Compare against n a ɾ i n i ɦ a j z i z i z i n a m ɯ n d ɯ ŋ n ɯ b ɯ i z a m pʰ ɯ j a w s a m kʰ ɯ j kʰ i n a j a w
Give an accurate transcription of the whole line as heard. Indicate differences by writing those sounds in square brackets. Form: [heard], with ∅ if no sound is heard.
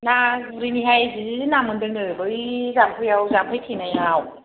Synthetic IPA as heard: n a ɾ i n i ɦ a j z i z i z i n a m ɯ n d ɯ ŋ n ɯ b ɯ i z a m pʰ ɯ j a w [z] a m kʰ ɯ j [tʰ] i n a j a w